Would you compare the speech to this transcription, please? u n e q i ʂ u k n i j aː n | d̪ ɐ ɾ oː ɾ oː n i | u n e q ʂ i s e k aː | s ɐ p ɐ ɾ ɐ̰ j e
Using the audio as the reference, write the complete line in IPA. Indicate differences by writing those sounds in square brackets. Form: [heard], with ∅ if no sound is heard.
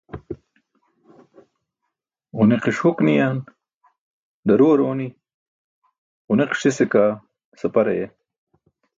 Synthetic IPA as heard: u n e q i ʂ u k n i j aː n | d̪ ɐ ɾ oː ɾ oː n i | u n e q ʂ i s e k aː | s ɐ p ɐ ɾ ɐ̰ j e